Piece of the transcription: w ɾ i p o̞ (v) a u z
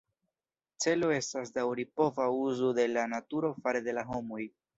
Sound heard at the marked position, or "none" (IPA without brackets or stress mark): v